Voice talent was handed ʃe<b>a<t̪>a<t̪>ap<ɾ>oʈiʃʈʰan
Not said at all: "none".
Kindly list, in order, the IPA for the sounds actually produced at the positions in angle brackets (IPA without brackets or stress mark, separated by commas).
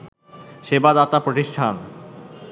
b, d̪, t̪, ɾ